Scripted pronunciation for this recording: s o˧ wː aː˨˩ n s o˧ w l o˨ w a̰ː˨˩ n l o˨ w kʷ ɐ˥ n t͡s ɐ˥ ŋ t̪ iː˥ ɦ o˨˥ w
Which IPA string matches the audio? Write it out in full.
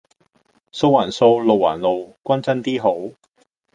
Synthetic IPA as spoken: s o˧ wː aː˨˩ n s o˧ w l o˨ w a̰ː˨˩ n l o˨ w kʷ ɐ˥ n t͡s ɐ˥ n t̪ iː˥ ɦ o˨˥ w